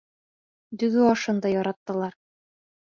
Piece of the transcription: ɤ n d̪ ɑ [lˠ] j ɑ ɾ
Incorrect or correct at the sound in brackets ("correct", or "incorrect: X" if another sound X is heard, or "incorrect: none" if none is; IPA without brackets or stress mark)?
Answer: incorrect: none